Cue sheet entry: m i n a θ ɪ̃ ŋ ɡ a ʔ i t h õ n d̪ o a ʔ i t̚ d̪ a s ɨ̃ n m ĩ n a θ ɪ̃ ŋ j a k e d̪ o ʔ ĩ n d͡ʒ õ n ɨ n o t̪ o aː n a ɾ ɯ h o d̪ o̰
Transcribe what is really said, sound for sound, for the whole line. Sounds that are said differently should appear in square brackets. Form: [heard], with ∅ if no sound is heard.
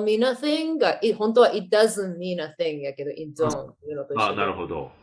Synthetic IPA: m i n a θ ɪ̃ ŋ ɡ a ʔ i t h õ n [t̪] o a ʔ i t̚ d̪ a [z] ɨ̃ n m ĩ n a θ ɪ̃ ŋ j a k e d̪ o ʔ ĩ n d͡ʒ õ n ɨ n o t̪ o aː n a ɾ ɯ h o d̪ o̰